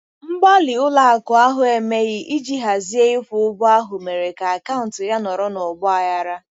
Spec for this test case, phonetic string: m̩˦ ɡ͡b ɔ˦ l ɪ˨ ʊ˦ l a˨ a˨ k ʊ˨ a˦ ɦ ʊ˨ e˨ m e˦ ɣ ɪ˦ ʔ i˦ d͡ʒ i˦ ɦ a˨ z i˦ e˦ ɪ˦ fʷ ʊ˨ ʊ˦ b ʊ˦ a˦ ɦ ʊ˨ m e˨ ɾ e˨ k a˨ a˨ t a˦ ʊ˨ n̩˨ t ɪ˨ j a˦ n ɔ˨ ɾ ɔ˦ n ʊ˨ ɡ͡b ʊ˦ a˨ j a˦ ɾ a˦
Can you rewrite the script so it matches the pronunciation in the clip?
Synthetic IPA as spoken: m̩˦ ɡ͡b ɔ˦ l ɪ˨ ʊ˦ l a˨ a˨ k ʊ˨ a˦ ɦ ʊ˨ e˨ m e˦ ɣ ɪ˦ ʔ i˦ d͡ʒ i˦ ɦ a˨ z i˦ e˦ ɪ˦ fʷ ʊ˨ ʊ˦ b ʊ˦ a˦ ɦ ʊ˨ m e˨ ɾ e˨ k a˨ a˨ k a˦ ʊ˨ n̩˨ t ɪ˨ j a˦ n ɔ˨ ɾ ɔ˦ n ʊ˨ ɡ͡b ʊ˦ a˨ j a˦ ɾ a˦